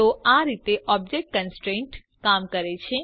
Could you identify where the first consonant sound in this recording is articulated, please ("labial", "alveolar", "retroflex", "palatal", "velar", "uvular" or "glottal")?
alveolar